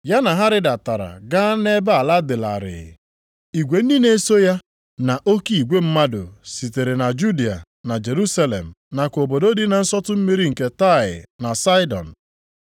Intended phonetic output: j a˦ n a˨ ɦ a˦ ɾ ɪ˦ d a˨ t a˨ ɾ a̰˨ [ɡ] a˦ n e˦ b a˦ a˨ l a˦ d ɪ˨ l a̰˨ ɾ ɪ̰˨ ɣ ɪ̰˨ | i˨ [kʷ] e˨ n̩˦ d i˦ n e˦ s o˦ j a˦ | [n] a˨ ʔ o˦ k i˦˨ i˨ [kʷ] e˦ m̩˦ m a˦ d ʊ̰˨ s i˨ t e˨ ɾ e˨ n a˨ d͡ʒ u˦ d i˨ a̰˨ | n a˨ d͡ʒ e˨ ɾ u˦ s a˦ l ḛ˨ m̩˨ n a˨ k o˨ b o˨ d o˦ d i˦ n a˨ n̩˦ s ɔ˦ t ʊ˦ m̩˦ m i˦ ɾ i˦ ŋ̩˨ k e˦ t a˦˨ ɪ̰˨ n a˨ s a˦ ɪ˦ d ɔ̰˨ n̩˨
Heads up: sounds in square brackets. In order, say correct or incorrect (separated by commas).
correct, incorrect, correct, incorrect